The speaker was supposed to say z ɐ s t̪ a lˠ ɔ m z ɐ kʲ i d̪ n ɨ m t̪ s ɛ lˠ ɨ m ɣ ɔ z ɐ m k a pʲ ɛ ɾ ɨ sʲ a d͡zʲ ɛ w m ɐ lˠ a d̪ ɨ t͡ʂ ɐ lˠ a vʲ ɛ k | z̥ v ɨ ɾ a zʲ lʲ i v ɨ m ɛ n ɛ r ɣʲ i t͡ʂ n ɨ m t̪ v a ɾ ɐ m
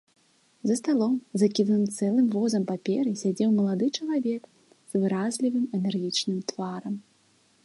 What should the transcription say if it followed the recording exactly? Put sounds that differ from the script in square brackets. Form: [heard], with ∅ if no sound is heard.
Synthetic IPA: z ɐ s t̪ a lˠ ɔ m z ɐ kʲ i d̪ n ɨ m t̪ s ɛ lˠ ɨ m [v] ɔ z ɐ m [p] a pʲ ɛ ɾ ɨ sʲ a d͡zʲ ɛ w m ɐ lˠ a d̪ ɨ t͡ʂ ɐ lˠ a vʲ ɛ k | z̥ v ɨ ɾ a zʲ lʲ i v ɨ m ɛ n ɛ r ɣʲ i t͡ʂ n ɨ m t̪ v a ɾ ɐ m